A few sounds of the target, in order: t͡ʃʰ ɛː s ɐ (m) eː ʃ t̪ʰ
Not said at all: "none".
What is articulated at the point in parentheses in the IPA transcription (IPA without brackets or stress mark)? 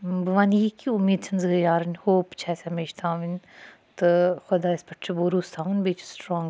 m